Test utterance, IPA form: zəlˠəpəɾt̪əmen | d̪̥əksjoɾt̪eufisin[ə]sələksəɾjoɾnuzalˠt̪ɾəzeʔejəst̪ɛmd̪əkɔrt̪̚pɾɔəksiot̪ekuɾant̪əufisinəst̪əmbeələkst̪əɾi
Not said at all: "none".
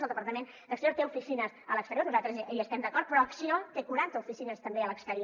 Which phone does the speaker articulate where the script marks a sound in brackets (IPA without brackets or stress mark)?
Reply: ə